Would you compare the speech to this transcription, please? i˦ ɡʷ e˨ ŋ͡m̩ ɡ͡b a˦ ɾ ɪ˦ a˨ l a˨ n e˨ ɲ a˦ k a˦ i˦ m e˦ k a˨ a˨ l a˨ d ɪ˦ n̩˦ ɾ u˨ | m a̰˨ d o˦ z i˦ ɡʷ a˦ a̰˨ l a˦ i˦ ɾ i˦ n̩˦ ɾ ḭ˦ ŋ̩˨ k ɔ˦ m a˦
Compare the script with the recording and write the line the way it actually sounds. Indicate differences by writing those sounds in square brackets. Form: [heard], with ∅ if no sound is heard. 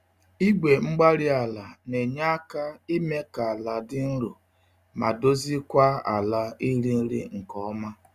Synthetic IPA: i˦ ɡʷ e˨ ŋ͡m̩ ɡ͡b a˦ ɾ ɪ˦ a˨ l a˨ n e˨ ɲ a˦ k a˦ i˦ m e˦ k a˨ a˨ l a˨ d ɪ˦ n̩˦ ɾ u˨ | m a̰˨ d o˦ z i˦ [kʷ] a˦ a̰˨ l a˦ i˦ ɾ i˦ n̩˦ ɾ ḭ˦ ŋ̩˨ k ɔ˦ m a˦